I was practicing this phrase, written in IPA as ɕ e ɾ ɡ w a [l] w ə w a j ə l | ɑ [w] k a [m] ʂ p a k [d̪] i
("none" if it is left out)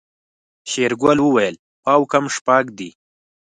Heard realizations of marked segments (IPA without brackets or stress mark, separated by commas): l, w, m, d̪